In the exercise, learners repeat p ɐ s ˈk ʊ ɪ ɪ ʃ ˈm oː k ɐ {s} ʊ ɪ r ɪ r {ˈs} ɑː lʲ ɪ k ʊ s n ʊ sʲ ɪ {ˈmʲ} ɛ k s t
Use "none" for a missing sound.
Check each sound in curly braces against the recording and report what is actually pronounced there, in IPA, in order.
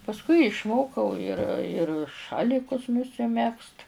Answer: none, ʃ, mʲ

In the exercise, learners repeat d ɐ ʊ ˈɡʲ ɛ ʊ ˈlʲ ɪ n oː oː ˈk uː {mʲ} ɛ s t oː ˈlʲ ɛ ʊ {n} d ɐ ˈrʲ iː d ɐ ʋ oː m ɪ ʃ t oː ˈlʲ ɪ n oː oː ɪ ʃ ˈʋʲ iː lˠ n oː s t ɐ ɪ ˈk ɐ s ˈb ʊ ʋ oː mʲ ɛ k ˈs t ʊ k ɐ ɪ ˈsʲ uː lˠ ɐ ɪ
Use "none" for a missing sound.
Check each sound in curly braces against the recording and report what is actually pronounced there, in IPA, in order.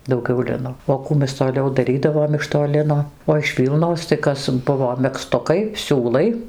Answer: mʲ, none

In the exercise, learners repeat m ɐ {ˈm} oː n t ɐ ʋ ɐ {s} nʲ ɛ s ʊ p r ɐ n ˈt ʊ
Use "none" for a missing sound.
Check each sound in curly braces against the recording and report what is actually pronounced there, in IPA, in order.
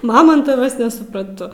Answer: m, s

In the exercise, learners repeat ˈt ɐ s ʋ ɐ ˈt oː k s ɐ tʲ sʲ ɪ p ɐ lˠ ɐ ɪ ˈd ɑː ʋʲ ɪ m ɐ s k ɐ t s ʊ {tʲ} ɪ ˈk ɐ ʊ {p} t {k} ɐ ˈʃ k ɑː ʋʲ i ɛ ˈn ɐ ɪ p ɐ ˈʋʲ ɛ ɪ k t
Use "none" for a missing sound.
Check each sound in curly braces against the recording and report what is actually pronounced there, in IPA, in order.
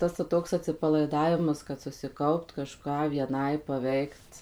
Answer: sʲ, p, k

